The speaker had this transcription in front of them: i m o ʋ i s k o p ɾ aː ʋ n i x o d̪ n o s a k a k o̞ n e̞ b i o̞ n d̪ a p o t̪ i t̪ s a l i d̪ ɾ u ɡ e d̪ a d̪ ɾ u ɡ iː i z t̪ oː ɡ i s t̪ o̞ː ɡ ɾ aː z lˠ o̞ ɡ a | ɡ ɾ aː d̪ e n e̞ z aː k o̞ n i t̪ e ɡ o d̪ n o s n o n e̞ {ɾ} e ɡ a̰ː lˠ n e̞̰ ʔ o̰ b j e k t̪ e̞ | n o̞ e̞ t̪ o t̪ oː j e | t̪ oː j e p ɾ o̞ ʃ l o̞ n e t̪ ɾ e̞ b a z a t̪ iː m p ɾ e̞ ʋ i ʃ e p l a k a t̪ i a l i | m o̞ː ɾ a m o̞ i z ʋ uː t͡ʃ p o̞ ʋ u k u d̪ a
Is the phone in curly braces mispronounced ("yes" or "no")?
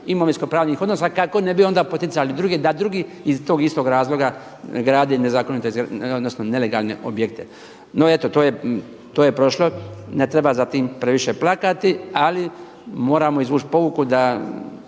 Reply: yes